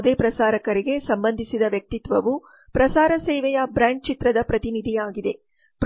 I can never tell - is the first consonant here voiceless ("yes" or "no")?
no